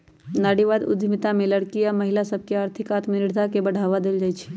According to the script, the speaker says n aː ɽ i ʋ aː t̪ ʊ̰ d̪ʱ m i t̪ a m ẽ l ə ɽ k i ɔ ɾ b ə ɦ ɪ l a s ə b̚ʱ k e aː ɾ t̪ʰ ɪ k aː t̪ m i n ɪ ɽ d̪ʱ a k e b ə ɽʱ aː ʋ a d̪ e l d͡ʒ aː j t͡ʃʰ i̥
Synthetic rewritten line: n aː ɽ i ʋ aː d̪ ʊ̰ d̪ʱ m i t̪ a m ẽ l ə ɽ k i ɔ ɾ m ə ɦ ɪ l a s ə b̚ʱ k e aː ɾ t̪ʰ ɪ k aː t̪ m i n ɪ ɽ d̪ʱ a k e b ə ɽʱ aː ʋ a d̪ e l d͡ʒ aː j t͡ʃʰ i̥